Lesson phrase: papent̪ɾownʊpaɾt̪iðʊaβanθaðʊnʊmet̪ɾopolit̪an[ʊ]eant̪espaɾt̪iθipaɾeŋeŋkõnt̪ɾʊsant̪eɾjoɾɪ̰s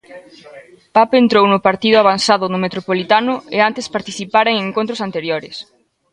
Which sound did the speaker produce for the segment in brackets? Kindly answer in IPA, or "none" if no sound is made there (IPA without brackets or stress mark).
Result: ʊ